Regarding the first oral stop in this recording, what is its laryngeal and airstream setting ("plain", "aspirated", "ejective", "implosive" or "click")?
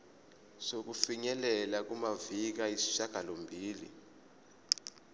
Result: plain